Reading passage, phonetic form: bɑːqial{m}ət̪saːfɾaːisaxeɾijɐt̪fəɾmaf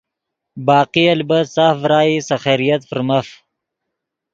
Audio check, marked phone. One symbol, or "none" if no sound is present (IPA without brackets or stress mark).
b